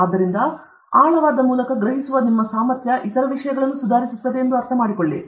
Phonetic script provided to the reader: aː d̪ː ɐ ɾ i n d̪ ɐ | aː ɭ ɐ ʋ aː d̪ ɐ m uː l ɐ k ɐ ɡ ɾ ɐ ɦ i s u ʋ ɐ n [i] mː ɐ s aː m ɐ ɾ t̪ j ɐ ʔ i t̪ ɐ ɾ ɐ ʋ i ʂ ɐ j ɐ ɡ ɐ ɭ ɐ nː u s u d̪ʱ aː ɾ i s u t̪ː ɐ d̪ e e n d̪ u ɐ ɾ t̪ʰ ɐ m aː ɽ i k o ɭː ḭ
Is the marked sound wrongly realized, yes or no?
no